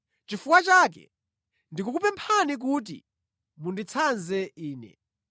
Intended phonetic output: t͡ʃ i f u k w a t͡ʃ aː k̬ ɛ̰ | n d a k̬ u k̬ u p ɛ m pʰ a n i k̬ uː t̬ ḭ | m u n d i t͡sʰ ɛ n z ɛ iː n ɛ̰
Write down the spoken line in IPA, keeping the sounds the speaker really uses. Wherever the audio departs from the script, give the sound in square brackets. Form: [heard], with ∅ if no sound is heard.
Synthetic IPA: t͡ʃ i f u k w a t͡ʃ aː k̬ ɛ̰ | n d [i] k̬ u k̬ u p ɛ m pʰ a n i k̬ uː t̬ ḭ | m u n d i t͡sʰ [a] n z ɛ iː n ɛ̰